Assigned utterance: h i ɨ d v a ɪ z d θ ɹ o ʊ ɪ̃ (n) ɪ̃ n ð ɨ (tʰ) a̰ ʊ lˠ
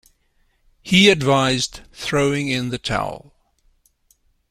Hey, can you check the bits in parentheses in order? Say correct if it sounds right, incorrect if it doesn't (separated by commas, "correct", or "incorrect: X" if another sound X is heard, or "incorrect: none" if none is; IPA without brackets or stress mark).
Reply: incorrect: ŋ, correct